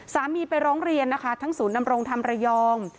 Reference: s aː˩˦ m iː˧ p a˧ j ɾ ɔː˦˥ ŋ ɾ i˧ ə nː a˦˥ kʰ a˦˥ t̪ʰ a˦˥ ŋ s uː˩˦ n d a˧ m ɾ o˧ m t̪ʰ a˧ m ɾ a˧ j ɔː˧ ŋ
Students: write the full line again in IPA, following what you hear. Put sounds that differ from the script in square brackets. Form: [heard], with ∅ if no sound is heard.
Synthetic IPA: s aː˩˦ m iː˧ p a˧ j ɾ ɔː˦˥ ŋ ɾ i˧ ə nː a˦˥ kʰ a˦˥ t̪ʰ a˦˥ ŋ s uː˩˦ n d a˧ m ɾ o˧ [ŋ] t̪ʰ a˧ m ɾ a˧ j ɔː˧ ŋ